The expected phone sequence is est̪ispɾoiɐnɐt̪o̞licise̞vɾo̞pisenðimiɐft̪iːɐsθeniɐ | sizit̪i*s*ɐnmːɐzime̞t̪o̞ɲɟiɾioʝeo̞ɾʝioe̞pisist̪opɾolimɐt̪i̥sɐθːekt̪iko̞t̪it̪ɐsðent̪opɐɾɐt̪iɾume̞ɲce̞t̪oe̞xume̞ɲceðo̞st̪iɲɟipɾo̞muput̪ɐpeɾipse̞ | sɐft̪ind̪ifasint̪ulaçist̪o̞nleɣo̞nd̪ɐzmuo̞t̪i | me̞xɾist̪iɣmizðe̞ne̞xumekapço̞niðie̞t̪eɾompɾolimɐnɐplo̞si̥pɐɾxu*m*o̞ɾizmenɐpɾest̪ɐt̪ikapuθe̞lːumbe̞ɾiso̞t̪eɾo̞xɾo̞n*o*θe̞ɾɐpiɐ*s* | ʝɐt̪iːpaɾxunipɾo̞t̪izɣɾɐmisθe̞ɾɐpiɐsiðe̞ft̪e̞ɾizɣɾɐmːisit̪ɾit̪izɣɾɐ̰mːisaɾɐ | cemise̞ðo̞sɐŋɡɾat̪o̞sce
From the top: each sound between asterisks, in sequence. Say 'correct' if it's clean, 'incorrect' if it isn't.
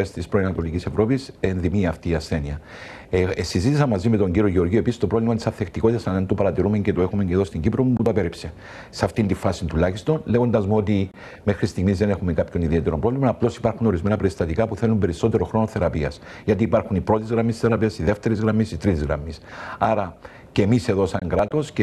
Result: correct, incorrect: n, correct, correct

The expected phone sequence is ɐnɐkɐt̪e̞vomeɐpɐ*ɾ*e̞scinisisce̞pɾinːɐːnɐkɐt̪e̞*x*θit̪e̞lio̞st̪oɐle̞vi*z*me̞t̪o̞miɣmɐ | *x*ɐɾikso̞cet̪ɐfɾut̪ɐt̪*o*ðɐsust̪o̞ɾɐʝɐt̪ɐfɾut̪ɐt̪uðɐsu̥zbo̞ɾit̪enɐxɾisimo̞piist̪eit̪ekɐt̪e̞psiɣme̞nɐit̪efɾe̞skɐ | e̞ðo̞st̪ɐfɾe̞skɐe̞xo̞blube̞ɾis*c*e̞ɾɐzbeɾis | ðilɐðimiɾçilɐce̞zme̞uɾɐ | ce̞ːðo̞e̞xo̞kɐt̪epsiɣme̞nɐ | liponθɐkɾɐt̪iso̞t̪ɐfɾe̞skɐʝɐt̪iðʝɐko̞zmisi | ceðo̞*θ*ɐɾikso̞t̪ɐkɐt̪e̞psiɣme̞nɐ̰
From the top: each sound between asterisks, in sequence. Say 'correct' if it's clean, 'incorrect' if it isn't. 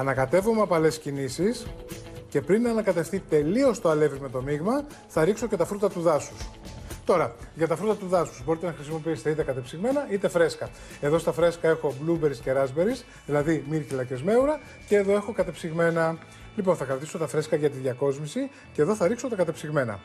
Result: incorrect: l, incorrect: f, correct, incorrect: θ, incorrect: u, correct, correct

